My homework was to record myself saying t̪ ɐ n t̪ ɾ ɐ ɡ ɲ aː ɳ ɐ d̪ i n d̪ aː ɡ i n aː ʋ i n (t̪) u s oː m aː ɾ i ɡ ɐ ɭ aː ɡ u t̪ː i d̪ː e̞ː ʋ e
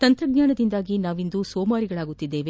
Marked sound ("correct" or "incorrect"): incorrect